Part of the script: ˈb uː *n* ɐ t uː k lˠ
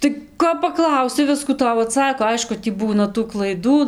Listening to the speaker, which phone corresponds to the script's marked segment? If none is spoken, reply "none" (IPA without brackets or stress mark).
n